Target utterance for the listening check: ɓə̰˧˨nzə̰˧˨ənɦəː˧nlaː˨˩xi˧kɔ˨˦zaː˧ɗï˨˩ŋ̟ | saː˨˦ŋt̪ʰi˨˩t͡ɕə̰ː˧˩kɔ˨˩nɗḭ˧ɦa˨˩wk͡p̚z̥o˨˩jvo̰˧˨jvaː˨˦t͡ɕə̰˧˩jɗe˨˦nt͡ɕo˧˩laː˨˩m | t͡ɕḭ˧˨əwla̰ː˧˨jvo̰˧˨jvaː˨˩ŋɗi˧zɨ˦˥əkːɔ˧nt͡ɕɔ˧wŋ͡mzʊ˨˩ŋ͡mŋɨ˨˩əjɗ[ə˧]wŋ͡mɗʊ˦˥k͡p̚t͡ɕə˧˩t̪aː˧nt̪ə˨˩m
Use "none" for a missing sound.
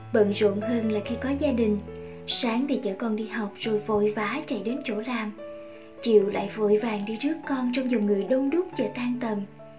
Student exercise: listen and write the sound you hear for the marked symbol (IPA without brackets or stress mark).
ə˧